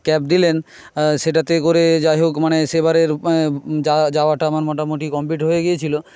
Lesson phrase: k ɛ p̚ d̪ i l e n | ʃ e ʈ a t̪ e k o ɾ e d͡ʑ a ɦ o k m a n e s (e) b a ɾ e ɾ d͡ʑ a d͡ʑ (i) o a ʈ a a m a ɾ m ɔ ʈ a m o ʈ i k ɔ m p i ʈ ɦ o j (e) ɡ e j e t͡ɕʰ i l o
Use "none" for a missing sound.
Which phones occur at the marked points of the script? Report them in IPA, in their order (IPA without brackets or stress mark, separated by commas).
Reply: e, a, e